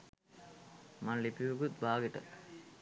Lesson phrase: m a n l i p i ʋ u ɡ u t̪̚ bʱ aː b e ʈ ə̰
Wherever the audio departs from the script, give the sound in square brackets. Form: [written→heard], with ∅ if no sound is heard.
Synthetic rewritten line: m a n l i p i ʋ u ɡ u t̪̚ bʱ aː [b→ɡ] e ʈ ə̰